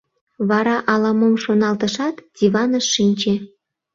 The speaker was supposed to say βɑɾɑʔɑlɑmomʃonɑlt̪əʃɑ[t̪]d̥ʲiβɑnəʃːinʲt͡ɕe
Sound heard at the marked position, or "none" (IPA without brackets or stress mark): t̪